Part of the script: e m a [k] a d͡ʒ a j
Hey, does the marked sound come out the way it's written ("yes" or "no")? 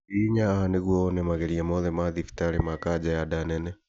yes